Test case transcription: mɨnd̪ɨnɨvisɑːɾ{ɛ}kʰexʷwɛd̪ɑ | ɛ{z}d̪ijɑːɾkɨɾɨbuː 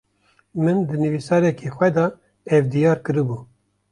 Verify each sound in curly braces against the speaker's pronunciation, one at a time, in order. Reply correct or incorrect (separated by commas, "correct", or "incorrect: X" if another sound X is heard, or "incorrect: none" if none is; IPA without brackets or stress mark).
correct, incorrect: v